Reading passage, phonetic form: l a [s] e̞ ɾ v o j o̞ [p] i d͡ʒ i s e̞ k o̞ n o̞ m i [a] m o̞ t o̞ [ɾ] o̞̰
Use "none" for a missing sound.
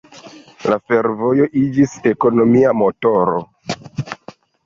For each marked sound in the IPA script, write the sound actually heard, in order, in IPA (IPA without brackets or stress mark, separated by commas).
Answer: f, ʔ, a, ɾ